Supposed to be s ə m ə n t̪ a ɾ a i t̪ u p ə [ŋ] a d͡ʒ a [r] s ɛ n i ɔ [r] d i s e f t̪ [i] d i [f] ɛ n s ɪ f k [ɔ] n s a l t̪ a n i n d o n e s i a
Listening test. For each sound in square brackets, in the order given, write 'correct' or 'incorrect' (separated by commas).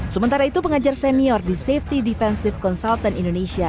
correct, correct, correct, correct, correct, correct